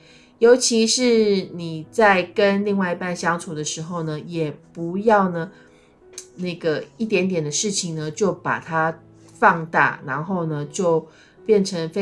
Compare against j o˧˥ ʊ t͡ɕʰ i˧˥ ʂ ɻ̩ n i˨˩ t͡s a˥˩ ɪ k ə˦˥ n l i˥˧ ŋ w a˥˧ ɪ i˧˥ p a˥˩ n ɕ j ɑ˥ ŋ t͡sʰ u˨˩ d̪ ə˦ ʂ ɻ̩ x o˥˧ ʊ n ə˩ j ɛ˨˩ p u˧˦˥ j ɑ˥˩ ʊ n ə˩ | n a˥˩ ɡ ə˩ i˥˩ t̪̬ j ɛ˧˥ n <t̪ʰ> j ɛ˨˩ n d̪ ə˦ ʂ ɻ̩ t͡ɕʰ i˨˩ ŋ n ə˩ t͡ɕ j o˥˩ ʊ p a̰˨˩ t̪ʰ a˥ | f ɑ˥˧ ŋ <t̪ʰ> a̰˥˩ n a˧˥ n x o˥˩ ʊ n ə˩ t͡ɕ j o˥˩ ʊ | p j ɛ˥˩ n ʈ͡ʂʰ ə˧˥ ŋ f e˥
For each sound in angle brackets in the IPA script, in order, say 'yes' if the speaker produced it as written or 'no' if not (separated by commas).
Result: no, no